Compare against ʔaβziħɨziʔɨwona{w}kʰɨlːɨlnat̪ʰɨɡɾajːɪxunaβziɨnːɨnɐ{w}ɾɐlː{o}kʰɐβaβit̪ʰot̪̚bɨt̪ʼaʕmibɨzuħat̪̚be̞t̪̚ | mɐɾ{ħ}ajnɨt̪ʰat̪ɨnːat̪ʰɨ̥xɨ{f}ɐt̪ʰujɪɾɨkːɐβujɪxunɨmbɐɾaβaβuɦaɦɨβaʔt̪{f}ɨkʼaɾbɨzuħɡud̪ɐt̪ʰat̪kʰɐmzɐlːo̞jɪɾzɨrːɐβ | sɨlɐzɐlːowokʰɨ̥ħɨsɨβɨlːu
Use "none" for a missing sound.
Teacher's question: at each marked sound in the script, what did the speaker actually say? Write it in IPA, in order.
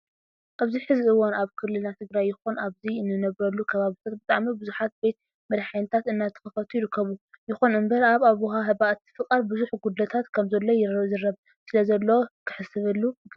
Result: β, β, u, ħ, f, f

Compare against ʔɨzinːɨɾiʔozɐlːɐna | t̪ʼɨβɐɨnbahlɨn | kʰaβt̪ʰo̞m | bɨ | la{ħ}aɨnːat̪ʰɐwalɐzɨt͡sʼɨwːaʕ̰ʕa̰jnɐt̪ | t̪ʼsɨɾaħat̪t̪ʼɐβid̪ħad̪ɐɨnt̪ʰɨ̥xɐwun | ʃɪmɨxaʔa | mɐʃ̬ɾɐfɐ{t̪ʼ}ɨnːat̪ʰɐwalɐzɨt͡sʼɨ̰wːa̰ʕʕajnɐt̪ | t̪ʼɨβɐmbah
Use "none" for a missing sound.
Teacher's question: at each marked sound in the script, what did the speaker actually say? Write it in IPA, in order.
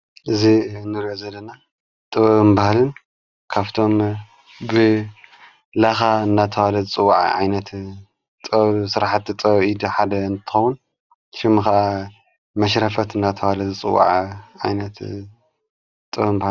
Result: x, t̪

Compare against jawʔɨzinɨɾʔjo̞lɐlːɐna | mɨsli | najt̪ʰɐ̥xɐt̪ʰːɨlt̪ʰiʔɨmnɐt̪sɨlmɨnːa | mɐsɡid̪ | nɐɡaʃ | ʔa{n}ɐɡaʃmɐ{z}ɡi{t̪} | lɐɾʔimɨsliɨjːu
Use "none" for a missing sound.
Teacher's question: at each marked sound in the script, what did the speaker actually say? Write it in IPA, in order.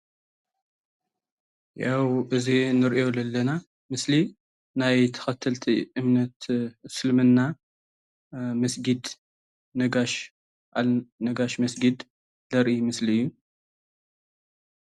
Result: n, s, d̪

